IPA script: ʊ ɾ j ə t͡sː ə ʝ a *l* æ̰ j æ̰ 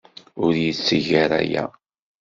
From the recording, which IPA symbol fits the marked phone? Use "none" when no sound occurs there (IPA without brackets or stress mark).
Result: ɾ